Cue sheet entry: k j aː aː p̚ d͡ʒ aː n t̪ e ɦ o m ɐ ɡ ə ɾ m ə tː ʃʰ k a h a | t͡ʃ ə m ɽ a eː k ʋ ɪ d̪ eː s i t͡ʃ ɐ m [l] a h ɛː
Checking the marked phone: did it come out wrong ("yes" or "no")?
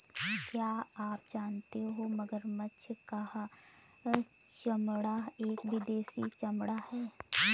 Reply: yes